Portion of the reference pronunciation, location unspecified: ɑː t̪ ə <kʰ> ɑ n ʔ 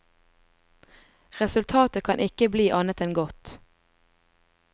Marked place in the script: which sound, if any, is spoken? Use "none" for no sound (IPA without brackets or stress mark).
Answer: kʰ